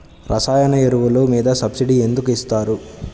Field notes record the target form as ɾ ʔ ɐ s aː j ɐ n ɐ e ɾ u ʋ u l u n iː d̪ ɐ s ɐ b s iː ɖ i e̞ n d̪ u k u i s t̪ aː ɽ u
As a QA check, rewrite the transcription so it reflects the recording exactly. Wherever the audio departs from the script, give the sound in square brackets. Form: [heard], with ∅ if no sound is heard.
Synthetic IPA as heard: ɾ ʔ ɐ s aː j ɐ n ɐ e ɾ u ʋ u l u [m] iː d̪ ɐ s ɐ b s [i] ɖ i e̞ n d̪ u k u i s t̪ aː [ɾ] u